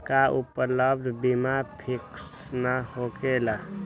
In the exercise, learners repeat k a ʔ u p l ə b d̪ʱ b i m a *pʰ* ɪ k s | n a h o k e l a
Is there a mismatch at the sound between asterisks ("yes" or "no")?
no